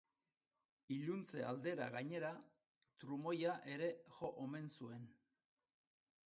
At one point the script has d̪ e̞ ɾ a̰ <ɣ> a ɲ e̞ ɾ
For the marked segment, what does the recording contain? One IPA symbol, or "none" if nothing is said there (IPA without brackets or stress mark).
ɣ